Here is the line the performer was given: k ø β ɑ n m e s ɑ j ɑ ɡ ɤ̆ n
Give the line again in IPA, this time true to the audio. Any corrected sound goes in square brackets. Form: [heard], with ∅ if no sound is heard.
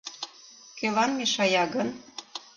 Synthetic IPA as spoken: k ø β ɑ n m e [ʃ] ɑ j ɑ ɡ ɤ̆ n